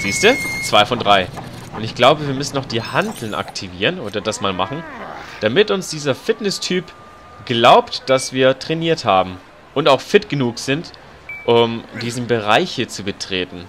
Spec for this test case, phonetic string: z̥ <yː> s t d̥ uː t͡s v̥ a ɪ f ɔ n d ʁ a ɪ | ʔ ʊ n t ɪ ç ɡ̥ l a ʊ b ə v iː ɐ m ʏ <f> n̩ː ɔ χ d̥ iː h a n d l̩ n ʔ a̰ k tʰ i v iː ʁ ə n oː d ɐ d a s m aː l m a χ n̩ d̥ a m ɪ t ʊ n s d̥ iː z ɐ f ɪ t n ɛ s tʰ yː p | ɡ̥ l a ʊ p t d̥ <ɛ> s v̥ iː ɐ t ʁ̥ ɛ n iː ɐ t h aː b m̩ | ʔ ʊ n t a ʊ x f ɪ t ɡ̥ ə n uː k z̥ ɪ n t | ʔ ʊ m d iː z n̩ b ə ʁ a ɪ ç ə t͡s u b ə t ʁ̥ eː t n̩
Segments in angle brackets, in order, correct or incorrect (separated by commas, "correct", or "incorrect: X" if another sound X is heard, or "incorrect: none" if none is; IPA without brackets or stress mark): incorrect: iː, incorrect: s, incorrect: a